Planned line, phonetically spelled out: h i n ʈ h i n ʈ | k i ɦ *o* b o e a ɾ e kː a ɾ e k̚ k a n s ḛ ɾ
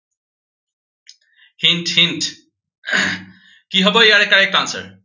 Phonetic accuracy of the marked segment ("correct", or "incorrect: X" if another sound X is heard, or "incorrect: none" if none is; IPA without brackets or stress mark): incorrect: ɔ